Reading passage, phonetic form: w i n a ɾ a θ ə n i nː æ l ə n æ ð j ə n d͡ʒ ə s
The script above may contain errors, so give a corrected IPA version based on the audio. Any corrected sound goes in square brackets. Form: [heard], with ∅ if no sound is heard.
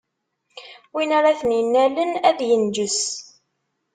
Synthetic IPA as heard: w i n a ɾ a θ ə n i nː æ l ə n æ ð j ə n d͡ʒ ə s